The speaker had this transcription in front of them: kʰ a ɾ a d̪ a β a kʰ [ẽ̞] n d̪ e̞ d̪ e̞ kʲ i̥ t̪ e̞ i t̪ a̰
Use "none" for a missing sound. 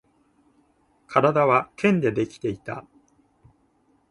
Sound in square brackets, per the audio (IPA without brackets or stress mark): ẽ̞